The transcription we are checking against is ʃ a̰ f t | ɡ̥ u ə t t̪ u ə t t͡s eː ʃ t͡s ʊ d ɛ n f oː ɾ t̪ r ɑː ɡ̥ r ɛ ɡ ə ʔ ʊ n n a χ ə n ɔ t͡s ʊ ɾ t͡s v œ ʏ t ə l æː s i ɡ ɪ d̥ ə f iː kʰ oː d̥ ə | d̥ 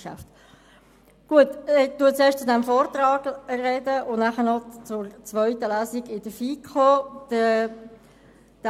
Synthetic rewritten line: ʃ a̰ f t | ɡ̥ u ə t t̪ u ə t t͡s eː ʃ t͡s ʊ d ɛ m f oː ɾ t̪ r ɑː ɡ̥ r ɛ d ə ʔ ʊ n n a χ ə n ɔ t͡s ʊ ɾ t͡s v œ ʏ t ə l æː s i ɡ ɪ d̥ ə f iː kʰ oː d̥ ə | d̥